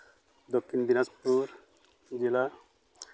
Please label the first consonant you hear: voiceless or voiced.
voiced